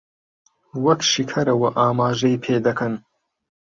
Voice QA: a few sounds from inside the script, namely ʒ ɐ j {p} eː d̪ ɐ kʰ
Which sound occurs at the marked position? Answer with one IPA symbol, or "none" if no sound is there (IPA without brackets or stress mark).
pʰ